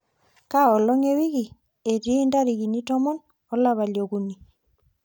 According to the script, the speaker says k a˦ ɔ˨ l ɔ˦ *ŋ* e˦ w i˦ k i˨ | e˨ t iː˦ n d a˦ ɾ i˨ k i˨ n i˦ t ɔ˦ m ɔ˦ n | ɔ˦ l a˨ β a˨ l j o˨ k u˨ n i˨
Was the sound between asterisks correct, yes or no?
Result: yes